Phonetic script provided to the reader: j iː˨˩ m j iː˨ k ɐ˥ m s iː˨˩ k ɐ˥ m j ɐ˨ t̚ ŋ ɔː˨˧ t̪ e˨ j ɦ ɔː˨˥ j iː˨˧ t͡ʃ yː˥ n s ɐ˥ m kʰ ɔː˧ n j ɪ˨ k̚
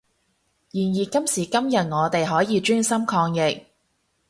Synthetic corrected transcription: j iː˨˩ n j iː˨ k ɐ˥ m s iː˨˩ k ɐ˥ m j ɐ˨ t̚ ŋ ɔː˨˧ t̪ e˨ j ɦ ɔː˨˥ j iː˨˧ t͡ʃ yː˥ n s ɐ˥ m kʰ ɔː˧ ŋ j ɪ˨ k̚